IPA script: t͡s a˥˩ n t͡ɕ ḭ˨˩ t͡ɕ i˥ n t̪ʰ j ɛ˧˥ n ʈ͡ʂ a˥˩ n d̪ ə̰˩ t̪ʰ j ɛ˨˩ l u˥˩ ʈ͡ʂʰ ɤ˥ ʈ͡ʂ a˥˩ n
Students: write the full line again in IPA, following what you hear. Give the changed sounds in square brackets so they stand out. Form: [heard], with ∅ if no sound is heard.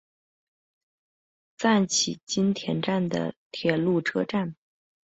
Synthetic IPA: t͡s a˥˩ n [t͡ɕʰ] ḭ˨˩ t͡ɕ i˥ n t̪ʰ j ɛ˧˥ n ʈ͡ʂ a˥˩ n d̪ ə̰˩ t̪ʰ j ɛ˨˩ l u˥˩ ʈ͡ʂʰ ɤ˥ ʈ͡ʂ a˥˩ n